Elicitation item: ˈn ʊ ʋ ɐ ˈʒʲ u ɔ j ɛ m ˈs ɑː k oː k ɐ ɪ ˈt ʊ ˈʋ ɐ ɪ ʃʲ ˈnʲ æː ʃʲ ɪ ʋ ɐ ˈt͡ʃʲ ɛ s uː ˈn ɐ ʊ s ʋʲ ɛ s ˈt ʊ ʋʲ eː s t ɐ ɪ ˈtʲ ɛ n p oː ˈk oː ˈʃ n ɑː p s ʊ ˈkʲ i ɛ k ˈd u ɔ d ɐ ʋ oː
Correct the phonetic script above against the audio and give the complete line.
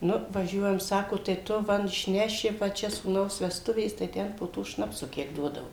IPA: ˈn ʊ ʋ ɐ ˈʒʲ u ɔ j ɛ m ˈs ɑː k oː t ɐ ɪ ˈt ʊ ˈʋ ɐ ɪ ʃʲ ˈnʲ æː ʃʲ ɪ ʋ ɐ ˈt͡ʃʲ ɛ s uː ˈn ɐ ʊ s ʋʲ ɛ s ˈt ʊ ʋʲ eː s t ɐ ɪ ˈtʲ ɛ n p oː ˈt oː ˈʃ n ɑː p s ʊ ˈkʲ i ɛ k ˈd u ɔ d ɐ ʋ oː